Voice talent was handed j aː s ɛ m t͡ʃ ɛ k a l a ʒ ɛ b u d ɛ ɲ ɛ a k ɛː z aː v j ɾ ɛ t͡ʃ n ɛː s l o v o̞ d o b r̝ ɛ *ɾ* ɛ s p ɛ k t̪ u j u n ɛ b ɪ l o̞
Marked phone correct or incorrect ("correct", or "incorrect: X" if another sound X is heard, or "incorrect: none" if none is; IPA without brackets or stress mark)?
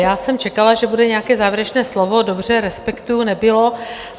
correct